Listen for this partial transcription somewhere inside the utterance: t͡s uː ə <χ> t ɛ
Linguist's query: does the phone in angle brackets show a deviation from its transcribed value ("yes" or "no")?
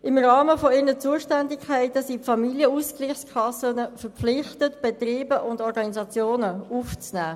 yes